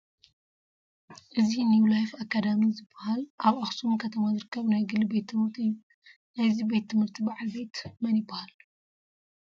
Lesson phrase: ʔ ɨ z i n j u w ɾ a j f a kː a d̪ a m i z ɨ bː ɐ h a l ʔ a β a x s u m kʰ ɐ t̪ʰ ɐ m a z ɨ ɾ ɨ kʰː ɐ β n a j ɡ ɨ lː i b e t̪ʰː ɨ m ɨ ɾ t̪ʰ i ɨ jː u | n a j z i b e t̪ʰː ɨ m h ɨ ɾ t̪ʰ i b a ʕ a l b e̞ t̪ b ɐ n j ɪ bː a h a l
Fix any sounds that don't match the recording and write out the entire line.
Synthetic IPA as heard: ʔ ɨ z i n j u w l a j f a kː a d̪ a m i z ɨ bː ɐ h a l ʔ a β a x s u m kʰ ɐ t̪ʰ ɐ m a z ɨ ɾ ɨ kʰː ɐ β n a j ɡ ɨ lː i b e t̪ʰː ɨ m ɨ ɾ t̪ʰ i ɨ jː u | n a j z i b e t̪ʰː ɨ m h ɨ ɾ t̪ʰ i b a ʕ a l b e̞ t̪ m ɐ n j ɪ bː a h a l

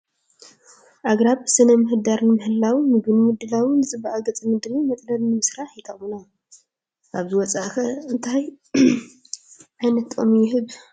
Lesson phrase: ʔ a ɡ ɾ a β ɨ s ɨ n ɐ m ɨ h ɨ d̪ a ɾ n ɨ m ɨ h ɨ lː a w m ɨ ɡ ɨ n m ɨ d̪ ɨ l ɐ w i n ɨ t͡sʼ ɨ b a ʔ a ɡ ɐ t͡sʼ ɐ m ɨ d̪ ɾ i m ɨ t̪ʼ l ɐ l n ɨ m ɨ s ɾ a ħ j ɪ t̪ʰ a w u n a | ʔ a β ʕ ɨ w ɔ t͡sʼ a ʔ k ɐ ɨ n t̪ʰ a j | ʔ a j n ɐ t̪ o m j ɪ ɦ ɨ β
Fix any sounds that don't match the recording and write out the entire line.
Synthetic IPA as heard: ʔ a ɡ ɾ a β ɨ s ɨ n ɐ m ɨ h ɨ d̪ a ɾ n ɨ m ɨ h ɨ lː a w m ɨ ɡ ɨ n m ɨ d̪ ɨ l a w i n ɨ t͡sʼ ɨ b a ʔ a ɡ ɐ t͡sʼ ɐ m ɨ d̪ ɾ i m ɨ t̪ʼ l ɐ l n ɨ m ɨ s ɾ a ħ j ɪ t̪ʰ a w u n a | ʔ a β z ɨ w ɔ t͡sʼ a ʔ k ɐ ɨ n t̪ʰ a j | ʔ a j n ɐ t̪ o m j ɪ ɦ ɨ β

